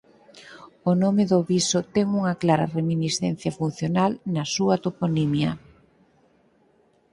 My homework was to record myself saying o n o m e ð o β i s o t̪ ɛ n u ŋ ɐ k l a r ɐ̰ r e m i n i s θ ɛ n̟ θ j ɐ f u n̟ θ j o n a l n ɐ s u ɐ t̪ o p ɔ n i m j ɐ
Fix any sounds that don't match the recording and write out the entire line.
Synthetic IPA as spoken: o n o m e ð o β i s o t̪ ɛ ŋ u ŋ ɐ k l a ɾ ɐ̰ r e m i n i s θ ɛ n̟ θ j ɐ f u n̟ θ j o n a l n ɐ s u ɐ t̪ o p o n i m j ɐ